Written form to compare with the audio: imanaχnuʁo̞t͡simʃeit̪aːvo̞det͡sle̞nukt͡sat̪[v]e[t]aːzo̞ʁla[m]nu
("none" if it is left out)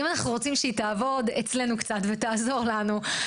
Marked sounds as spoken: v, t, none

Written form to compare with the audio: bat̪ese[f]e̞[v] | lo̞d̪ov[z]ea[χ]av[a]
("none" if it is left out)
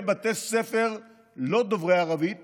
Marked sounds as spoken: f, ʁ, ʁ, ʁ, i

